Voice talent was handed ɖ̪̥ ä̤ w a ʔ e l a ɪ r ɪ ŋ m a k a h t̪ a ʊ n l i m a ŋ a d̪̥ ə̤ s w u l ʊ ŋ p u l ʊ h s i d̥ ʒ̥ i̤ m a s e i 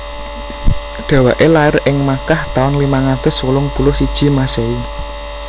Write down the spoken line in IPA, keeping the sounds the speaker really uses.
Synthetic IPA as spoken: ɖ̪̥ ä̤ w a ʔ e l a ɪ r ɪ ŋ m a k a h t̪ a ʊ n l i m a ŋ a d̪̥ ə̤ s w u l ʊ ŋ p u l ʊ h s i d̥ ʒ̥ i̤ m a s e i